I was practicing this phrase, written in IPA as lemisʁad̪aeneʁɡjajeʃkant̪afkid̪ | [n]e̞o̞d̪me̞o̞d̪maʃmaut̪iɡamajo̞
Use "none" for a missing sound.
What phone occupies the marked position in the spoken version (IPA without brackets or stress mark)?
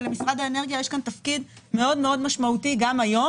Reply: m